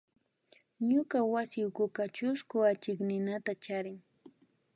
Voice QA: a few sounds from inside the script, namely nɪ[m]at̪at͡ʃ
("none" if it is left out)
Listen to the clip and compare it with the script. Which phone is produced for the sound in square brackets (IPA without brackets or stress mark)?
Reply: n